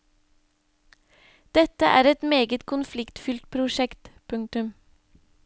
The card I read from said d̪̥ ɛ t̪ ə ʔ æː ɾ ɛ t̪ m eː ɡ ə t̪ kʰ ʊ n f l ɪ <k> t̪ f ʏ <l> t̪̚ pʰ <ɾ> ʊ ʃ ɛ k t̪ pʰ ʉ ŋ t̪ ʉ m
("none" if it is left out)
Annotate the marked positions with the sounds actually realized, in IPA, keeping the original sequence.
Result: k, l, ɾ

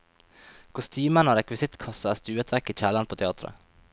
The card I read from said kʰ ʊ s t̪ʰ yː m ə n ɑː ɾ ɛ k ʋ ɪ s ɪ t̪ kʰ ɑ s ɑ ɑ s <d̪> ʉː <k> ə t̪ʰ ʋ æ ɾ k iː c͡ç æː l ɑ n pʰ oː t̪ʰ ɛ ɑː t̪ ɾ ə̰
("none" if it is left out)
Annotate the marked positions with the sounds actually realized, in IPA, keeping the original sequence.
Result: t̪, none

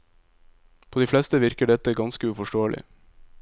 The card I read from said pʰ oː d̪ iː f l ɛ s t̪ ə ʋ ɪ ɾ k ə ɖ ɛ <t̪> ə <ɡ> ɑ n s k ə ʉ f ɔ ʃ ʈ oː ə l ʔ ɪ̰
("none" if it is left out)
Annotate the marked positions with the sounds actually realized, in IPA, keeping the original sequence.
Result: t̪, ɡ

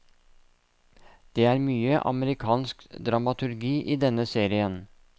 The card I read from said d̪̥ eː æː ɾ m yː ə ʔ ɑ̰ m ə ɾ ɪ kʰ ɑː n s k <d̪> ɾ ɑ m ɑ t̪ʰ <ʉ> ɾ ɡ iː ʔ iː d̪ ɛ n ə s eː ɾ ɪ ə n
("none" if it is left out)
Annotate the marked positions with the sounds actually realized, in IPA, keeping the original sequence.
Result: d̪, ʉ

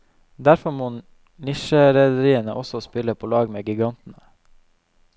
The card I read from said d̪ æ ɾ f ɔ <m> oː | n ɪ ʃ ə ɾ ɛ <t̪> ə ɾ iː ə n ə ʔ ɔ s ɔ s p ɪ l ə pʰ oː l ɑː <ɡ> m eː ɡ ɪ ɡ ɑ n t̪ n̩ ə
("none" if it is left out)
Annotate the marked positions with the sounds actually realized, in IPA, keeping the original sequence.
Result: m, d̪, ɡ

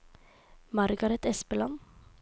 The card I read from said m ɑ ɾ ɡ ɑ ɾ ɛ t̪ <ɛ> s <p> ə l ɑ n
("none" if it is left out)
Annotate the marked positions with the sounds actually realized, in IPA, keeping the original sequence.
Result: ɛ, p

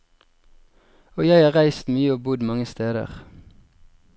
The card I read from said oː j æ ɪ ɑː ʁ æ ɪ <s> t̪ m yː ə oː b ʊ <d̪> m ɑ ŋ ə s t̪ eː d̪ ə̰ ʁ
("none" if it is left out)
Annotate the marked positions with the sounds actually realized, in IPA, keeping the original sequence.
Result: s, d̪

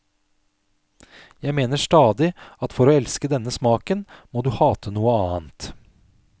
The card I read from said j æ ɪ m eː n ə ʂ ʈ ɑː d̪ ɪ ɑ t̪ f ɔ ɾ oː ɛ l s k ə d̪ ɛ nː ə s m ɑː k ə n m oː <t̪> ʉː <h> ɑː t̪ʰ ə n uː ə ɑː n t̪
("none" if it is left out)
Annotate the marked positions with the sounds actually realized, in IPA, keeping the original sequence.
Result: d̪, h

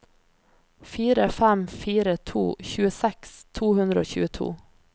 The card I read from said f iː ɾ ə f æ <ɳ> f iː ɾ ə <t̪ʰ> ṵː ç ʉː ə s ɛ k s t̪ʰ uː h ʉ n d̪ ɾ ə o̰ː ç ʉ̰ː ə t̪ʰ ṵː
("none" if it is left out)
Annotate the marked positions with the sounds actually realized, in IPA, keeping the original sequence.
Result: m, t̪ʰ

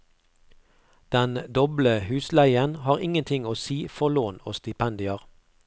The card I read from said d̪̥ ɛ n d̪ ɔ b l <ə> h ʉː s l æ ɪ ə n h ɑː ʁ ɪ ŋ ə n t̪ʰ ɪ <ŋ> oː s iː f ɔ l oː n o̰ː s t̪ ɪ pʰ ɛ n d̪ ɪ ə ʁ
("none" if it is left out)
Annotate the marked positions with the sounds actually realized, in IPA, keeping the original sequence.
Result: ə, ŋ

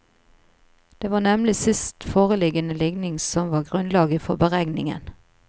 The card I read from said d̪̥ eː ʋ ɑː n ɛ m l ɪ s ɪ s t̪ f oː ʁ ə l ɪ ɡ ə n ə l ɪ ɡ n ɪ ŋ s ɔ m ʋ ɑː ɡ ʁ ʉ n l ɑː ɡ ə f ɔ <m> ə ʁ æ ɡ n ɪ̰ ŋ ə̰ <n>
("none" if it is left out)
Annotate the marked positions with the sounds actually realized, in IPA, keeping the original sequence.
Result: b, n

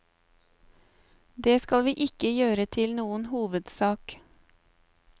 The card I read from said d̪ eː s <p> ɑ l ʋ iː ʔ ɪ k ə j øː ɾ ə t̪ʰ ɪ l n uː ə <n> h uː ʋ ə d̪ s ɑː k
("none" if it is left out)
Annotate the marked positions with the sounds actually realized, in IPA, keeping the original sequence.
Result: k, n

